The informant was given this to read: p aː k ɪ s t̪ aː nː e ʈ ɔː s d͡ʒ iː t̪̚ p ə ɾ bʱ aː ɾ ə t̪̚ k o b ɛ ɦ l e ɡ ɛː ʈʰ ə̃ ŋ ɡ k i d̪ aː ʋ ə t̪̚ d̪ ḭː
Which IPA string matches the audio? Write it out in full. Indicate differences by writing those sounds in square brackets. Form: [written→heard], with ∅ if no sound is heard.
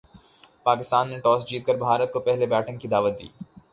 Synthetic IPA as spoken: p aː k ɪ s t̪ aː nː e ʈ ɔː s d͡ʒ iː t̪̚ [p→k] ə ɾ bʱ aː ɾ ə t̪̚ k o [b→p] ɛ ɦ l e [ɡ→b] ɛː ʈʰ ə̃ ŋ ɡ k i d̪ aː ʋ ə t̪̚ d̪ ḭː